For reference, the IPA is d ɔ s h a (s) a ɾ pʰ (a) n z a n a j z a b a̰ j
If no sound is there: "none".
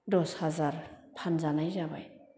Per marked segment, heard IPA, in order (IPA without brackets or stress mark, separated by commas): z, a